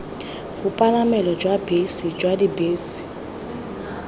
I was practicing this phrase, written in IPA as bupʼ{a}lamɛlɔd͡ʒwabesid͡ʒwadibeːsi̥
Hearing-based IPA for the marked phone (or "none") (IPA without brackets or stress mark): a